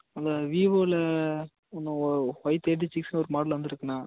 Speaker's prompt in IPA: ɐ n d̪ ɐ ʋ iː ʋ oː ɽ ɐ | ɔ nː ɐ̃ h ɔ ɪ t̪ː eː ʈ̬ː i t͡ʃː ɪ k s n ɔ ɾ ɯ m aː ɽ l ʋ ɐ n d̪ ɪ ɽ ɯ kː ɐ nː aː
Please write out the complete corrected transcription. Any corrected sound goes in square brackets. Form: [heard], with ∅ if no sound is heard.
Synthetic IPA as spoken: ɐ n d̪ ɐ ʋ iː ʋ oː [l] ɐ | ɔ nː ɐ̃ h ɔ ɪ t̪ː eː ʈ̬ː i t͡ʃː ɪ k s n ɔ ɾ ɯ m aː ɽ l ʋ ɐ n d̪ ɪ [ɾ] ɯ kː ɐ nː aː